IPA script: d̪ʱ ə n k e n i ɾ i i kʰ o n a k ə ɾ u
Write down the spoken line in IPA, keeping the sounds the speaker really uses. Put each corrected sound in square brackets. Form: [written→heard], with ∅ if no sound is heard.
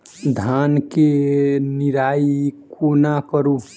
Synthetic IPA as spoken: d̪ʱ [ə→a] n k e n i ɾ [i→a] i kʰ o n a k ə ɾ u